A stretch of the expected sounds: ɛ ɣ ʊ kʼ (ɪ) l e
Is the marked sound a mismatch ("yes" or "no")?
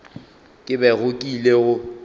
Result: yes